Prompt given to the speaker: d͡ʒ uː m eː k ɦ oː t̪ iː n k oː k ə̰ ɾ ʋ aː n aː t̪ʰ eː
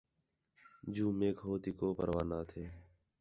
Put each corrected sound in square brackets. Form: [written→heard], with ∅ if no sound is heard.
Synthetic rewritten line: d͡ʒ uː m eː k ɦ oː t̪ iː [n→∅] k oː [k→p] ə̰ ɾ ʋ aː n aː t̪ʰ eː